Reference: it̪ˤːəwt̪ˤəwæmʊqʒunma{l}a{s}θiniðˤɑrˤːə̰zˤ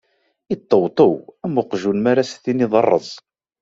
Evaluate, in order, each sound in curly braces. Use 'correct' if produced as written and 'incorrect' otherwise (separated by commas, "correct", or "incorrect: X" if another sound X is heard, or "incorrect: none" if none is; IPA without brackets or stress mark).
incorrect: ɾ, correct